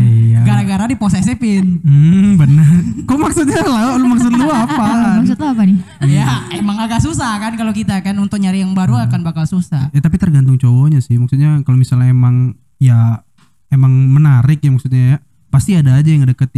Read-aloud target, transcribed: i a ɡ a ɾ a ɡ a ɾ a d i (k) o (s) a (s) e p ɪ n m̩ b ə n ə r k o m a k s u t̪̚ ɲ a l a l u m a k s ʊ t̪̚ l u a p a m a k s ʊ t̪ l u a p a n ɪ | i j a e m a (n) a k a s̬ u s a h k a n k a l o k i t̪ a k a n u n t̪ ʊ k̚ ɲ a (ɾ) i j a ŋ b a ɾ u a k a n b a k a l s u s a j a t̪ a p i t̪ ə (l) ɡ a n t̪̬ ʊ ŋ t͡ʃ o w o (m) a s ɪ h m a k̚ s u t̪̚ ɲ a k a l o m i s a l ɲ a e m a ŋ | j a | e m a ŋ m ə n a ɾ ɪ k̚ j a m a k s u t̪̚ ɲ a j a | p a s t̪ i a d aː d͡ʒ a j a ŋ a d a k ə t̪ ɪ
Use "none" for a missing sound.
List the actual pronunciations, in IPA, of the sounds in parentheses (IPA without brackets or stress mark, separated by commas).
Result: p, s, s, ŋ, ɾ, r, ɲ